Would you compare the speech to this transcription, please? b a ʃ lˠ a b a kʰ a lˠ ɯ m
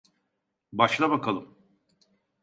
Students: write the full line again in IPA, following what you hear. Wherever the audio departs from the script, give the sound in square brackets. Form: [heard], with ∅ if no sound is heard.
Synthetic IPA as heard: b a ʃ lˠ a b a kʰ a lˠ ɯ m